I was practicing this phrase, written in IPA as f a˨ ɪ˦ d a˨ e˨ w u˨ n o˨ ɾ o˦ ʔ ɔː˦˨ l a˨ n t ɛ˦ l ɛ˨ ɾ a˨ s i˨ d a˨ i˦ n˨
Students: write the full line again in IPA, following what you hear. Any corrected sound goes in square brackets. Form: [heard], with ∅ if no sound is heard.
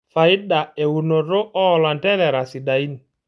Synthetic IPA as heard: f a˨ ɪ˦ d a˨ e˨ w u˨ n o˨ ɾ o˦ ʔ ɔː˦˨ l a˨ n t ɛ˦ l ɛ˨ ɾ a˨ s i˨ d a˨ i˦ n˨